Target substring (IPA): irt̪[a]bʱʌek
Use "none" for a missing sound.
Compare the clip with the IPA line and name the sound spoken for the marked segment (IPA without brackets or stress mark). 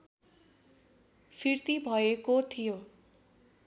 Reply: i